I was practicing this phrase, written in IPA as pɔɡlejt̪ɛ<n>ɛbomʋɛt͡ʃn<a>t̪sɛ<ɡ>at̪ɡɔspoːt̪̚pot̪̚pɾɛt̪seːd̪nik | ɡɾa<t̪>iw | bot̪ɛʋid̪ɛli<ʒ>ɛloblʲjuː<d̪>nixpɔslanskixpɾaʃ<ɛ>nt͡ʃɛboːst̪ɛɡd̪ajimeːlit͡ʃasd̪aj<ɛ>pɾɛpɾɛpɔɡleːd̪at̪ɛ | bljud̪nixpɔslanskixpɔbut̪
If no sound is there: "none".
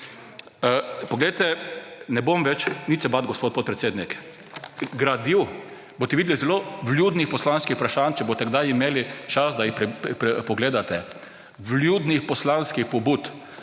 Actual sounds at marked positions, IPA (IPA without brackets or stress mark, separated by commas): n, i, b, d̪, z, d̪, a, i